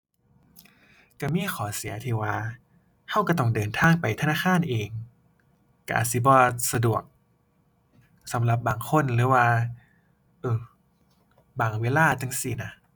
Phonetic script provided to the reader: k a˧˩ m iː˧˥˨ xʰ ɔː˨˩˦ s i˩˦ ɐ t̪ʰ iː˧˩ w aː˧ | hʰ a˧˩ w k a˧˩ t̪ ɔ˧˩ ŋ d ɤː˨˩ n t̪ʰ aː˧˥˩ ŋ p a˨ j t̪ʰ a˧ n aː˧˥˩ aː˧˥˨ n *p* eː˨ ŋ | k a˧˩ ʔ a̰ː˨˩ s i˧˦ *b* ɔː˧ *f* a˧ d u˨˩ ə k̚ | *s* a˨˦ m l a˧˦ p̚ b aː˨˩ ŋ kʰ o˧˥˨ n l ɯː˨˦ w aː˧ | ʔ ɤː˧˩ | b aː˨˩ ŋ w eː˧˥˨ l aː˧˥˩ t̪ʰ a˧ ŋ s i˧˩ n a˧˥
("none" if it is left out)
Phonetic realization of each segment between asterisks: ʔ, b, s, s

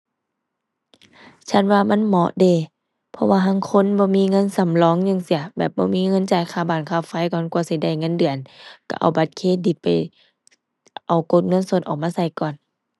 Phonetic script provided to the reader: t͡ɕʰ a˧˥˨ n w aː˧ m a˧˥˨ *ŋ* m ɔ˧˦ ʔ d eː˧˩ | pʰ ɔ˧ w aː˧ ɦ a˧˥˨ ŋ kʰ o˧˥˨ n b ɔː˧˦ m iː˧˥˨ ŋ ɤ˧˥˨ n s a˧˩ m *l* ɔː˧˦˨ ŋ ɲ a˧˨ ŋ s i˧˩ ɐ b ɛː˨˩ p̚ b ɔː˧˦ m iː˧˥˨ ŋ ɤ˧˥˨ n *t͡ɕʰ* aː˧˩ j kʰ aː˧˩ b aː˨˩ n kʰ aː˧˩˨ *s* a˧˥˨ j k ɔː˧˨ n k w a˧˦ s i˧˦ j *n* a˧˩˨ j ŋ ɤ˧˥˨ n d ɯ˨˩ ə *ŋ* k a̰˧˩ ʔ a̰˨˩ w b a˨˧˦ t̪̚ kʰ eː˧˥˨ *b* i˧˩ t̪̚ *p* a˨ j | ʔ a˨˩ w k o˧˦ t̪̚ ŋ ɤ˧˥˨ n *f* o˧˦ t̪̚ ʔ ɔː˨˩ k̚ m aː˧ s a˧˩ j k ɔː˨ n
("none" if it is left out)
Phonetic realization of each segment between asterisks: n, l, t͡ɕ, f, d, n, d, p, s

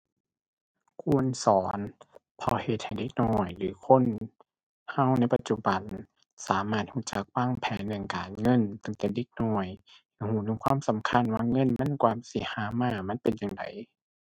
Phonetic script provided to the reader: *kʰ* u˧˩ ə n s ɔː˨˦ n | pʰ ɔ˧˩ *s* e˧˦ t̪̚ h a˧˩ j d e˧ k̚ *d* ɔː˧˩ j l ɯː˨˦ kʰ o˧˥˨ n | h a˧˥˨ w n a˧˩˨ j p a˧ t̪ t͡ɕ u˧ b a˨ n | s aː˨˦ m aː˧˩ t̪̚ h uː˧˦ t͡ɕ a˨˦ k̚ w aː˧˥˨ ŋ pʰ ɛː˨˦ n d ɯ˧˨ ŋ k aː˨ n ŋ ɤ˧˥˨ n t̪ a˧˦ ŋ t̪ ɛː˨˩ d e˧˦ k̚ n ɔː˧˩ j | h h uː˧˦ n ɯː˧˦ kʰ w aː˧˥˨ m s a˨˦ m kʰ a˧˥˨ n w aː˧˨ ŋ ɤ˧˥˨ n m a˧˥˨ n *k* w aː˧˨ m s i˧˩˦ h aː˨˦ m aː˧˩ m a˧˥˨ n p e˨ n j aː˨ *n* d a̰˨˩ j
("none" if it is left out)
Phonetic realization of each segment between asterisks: kʰ, h, n, k, ŋ

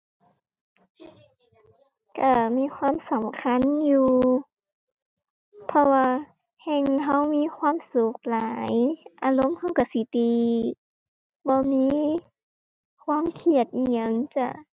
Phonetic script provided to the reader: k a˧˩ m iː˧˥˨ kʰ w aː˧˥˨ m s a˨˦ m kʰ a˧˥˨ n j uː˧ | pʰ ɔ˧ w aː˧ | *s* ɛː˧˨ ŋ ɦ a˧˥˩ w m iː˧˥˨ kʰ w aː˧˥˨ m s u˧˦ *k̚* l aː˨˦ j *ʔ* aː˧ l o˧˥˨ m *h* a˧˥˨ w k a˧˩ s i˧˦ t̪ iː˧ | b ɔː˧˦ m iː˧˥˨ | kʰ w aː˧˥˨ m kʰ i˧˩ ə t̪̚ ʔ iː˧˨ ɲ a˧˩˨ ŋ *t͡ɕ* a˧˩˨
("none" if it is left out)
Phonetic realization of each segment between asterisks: h, k̚, ʔ, h, t͡ɕ

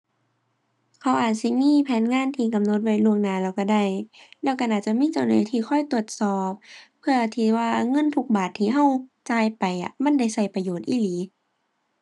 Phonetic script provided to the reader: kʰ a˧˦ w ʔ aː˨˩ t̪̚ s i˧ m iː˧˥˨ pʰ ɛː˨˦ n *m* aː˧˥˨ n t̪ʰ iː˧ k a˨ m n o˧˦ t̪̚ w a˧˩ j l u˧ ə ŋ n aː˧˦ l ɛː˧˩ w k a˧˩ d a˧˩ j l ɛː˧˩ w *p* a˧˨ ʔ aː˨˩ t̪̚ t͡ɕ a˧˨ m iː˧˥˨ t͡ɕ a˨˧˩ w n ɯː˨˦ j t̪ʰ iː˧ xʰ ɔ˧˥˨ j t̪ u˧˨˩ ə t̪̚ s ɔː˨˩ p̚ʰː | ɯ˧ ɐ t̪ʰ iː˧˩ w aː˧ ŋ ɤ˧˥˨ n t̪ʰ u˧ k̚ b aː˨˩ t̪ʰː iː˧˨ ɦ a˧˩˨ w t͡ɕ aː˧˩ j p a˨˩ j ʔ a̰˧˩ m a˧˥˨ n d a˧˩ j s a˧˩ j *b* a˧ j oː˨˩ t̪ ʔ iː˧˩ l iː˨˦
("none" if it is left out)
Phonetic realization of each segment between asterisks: ŋ, k, p

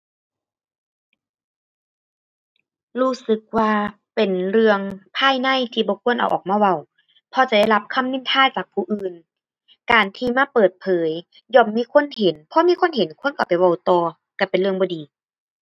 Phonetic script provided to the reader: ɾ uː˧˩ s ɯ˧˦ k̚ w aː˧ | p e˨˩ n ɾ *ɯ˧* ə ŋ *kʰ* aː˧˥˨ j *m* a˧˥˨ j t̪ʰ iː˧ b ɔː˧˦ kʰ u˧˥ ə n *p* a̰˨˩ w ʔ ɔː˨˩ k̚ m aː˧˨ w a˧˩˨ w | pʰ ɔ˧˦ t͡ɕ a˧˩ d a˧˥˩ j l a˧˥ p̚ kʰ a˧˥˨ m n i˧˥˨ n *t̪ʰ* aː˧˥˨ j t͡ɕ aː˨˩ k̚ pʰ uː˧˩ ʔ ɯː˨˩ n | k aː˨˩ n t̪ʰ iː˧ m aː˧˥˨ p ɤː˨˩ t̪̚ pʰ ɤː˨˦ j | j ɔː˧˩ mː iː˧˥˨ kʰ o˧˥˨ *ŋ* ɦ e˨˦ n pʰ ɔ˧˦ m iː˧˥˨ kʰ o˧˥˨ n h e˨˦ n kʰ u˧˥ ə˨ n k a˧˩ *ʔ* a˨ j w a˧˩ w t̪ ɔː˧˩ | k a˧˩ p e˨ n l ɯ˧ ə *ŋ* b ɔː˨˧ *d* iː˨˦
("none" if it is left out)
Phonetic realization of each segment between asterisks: ɯ˧, pʰ, n, ʔ, t̪ʰ, n, p, ŋ, d

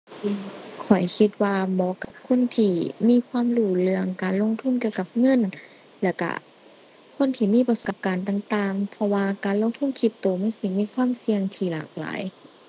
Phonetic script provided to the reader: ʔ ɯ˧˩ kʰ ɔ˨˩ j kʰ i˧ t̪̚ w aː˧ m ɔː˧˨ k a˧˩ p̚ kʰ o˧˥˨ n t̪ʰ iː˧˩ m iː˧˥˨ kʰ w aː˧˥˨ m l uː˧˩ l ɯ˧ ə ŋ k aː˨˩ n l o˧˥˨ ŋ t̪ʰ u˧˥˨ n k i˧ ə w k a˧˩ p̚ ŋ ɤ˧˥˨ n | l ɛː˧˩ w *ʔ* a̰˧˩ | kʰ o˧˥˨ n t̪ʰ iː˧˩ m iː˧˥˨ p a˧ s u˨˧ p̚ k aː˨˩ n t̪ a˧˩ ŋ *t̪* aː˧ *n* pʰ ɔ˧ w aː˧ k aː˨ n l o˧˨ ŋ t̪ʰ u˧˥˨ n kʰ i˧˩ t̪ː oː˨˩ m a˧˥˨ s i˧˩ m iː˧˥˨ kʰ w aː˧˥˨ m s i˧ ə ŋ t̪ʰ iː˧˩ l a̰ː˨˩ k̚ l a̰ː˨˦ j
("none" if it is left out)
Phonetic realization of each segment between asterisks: k, t̪, ŋ

